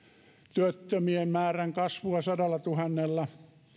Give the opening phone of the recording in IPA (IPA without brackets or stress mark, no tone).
t̪